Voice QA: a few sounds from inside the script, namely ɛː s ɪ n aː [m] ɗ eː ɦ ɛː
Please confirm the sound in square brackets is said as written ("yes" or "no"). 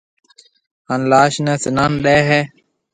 no